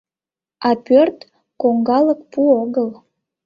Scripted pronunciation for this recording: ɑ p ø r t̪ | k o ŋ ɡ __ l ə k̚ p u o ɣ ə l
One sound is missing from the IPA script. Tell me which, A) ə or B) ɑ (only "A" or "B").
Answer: B